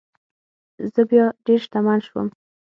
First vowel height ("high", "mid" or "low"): mid